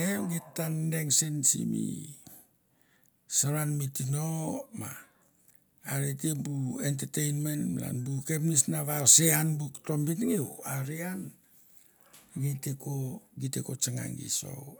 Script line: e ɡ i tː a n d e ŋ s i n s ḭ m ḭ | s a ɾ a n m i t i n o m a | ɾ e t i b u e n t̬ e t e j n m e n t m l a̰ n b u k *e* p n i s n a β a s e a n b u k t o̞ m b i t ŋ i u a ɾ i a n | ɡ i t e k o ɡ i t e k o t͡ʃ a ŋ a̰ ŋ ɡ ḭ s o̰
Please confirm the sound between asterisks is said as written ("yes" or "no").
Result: yes